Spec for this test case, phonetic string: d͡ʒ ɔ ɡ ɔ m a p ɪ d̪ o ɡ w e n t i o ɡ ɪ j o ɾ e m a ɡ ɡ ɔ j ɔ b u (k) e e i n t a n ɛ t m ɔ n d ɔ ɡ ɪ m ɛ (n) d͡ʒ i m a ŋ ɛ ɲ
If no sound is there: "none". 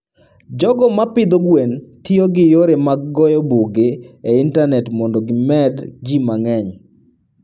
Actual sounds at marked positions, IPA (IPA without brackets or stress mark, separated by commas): ɡ, d